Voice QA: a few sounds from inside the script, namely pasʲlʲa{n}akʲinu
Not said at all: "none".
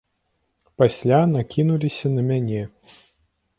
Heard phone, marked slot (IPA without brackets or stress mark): n